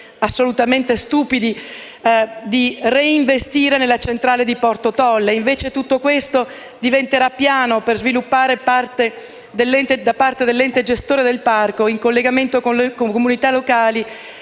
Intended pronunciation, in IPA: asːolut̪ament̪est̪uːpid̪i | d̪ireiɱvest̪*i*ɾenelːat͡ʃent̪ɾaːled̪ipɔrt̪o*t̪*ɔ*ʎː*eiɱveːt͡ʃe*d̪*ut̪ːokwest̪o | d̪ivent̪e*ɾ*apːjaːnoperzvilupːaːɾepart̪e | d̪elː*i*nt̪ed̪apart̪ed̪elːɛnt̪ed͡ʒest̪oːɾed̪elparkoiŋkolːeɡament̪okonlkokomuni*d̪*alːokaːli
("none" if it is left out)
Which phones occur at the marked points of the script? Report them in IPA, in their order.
iː, t̪, lː, t̪, ɾ, ɛ, t̪

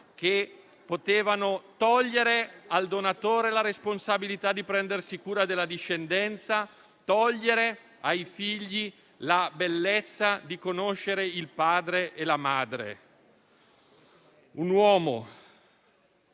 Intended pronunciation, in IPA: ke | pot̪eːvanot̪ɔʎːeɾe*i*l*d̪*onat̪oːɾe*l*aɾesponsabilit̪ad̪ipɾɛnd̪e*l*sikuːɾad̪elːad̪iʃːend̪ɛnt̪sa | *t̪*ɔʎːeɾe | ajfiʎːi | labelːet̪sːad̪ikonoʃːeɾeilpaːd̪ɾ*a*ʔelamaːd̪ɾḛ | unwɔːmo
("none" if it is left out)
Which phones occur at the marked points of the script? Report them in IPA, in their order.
a, d̪, l, r, t̪, e

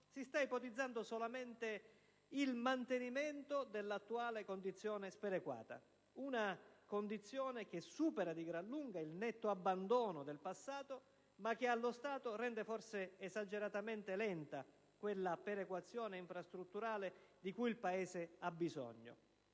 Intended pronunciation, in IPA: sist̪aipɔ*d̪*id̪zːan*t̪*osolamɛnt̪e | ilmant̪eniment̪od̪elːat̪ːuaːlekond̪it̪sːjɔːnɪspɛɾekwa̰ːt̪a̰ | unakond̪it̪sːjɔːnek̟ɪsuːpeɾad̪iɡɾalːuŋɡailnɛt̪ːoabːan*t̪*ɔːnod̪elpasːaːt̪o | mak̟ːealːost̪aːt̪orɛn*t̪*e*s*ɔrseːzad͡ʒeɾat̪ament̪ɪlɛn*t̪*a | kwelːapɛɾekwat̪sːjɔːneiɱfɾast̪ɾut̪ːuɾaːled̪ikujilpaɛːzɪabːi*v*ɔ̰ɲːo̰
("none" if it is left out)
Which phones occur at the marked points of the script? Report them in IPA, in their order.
t̪, d̪, d̪, d̪, f, t̪, z

